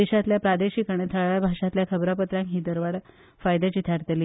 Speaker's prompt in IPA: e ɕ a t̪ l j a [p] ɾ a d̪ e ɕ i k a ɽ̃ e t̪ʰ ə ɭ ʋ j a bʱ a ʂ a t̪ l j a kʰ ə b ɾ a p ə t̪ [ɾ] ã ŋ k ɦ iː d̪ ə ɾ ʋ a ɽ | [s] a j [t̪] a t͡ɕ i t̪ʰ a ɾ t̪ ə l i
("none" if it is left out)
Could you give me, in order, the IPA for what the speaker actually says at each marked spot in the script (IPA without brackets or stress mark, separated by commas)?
p, ɾ, f, d̪